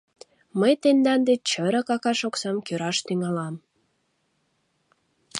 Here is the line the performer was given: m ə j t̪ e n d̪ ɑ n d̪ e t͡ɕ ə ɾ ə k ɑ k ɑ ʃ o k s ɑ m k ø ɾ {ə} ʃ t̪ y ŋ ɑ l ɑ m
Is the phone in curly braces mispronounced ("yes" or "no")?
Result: yes